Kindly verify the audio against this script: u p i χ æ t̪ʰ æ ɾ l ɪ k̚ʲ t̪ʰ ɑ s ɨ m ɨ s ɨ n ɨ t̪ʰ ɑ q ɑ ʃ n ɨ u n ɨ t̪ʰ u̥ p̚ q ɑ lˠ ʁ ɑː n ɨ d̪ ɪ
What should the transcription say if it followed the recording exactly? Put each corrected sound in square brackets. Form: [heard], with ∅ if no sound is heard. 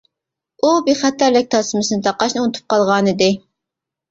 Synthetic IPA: u [b] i χ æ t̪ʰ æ ɾ l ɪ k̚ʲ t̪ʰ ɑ s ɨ m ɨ s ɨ n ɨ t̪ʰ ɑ q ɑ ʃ n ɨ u n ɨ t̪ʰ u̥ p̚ q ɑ lˠ ʁ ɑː n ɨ d̪ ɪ